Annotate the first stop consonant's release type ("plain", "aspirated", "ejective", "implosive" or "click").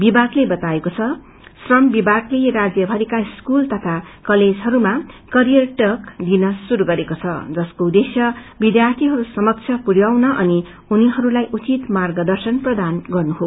plain